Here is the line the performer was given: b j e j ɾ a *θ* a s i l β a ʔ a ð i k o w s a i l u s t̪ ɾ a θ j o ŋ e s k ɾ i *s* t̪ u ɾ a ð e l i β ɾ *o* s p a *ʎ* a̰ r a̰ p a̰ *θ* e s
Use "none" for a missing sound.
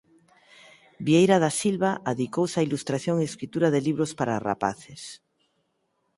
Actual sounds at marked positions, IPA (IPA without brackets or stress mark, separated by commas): ð, none, o, ɾ, θ